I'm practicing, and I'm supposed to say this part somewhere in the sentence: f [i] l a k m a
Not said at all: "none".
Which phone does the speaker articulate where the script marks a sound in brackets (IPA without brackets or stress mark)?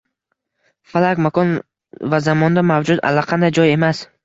a